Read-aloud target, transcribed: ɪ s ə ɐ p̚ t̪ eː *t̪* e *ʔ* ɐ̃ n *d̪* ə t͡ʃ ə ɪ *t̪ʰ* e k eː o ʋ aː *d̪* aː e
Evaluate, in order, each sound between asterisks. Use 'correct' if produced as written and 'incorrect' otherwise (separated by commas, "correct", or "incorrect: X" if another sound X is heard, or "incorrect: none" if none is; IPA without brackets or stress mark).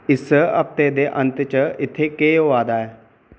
incorrect: d̪, correct, incorrect: t̪, correct, correct